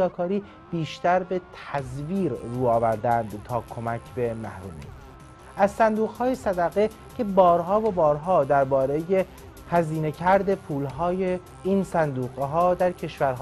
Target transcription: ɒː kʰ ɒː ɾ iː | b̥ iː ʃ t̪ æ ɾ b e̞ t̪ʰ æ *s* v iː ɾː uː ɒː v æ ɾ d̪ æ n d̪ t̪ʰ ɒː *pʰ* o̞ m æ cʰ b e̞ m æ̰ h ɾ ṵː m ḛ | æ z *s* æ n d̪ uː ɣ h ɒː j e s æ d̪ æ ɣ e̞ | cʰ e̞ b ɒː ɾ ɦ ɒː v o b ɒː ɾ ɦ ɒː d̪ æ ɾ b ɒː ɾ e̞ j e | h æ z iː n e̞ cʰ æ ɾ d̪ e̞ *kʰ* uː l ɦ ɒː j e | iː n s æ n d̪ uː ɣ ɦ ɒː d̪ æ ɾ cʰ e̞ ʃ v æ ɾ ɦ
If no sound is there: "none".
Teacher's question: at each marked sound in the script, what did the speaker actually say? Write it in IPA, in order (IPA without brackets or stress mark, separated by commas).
z, kʰ, s, pʰ